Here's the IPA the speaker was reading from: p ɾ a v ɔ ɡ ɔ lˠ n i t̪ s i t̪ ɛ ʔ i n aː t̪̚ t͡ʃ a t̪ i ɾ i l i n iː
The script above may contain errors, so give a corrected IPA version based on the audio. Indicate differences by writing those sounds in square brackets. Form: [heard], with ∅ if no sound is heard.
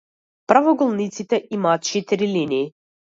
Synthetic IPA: p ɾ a v ɔ ɡ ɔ lˠ n i t̪ s i t̪ ɛ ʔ i [m] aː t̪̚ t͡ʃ [ɛ] t̪ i ɾ i l i n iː